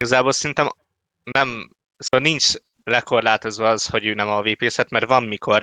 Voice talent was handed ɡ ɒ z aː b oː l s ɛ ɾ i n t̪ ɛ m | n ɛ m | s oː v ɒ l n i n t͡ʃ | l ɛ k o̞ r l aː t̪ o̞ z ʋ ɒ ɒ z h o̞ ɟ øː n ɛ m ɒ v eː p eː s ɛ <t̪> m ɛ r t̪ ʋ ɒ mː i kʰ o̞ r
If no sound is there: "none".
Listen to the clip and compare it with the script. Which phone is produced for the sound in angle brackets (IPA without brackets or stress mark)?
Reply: t̪